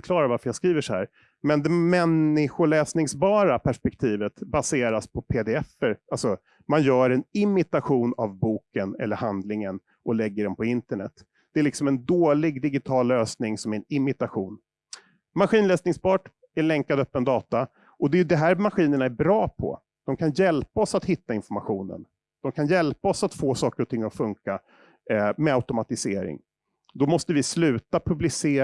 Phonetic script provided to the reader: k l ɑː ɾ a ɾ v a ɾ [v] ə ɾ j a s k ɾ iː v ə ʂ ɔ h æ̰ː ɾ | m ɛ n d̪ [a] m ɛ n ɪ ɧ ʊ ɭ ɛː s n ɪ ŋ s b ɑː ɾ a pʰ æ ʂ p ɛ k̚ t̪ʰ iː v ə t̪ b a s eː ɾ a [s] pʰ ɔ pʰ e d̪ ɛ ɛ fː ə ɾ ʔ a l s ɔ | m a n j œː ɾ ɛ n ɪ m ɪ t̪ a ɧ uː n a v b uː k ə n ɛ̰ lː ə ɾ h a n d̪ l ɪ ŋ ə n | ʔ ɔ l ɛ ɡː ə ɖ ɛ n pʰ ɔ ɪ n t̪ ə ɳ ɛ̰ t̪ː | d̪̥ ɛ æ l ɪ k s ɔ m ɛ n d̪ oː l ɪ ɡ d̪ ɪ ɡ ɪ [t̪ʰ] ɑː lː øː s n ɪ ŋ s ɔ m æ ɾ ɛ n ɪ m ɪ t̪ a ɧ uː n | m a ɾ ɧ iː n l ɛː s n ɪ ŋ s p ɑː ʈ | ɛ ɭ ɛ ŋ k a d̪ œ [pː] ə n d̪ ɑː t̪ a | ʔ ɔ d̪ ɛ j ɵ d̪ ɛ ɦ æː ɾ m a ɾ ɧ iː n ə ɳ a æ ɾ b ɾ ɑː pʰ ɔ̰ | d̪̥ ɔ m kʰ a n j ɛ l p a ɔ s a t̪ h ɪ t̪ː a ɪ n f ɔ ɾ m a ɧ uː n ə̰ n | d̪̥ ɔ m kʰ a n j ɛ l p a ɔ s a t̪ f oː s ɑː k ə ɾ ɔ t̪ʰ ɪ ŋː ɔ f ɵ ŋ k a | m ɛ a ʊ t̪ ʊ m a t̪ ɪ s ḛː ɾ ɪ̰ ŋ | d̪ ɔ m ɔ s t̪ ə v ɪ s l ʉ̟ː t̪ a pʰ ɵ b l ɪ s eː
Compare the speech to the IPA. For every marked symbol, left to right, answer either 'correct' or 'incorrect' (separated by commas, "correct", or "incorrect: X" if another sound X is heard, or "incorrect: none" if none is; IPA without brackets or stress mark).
incorrect: f, incorrect: ɛ, correct, correct, correct